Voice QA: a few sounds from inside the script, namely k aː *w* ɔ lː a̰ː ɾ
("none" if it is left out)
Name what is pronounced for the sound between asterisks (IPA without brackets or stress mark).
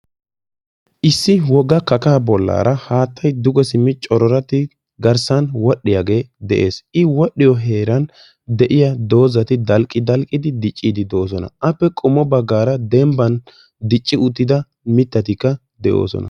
b